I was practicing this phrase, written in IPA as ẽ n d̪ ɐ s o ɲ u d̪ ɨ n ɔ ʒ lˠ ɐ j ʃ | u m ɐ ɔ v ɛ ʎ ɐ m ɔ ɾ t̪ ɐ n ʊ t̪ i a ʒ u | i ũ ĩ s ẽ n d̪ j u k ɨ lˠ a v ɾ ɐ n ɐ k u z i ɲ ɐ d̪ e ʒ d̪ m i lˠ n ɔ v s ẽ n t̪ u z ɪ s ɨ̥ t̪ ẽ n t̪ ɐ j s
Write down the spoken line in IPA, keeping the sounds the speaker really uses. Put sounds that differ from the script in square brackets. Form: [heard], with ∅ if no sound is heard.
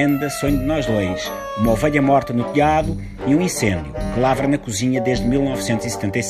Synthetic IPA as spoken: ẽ n d̪ ɐ s o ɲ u d̪ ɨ n ɔ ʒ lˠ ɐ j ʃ | u m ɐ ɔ v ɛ ʎ ɐ m ɔ ɾ t̪ ɐ n [u] t̪ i a [ð] u | i ũ ĩ s ẽ n d̪ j u k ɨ lˠ a v ɾ ɐ n ɐ k u z i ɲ ɐ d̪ e ʒ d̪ m i lˠ n ɔ v s ẽ n t̪ u z [i] s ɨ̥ t̪ ẽ n t̪ ɐ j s